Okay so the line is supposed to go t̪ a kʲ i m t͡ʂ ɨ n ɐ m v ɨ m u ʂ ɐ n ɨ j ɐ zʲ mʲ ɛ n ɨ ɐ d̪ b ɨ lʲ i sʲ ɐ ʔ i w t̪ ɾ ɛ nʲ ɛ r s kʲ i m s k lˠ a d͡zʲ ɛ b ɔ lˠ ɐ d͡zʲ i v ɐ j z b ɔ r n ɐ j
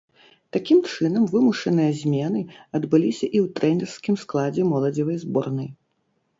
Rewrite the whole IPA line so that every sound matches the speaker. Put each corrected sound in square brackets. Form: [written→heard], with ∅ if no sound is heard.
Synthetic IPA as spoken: t̪ a kʲ i m t͡ʂ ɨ n ɐ m v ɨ m u ʂ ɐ n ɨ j ɐ zʲ mʲ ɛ n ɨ ɐ d̪ b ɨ lʲ i sʲ ɐ ʔ i w t̪ ɾ ɛ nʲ ɛ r s kʲ i m s k lˠ a d͡zʲ ɛ [b→m] ɔ lˠ ɐ d͡zʲ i v ɐ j z b ɔ r n ɐ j